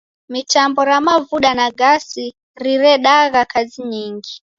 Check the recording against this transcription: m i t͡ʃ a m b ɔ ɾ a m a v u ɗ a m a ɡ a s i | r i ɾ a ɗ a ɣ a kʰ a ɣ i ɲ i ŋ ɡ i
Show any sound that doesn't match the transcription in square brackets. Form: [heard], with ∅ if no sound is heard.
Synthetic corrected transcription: m i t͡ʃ a m b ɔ ɾ a m a v u ɗ a [n] a ɡ a s i | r i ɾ [ɛ] ɗ a ɣ a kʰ a [z] i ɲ i ŋ ɡ i